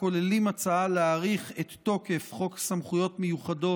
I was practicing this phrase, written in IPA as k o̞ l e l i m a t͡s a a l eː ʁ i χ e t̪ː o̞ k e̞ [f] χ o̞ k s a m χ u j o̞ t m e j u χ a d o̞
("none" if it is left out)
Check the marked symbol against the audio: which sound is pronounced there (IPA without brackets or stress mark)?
f